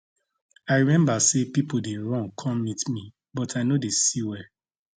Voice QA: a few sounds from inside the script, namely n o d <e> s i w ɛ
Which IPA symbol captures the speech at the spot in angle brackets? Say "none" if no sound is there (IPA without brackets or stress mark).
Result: e